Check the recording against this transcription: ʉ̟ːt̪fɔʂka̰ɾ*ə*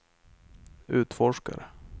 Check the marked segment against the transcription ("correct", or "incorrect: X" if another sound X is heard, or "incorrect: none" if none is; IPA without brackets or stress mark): correct